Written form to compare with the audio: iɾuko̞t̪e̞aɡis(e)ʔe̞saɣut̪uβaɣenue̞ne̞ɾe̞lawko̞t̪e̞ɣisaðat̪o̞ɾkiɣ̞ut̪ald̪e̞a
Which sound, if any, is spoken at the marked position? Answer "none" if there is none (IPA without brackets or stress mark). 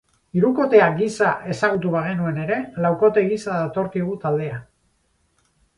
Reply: a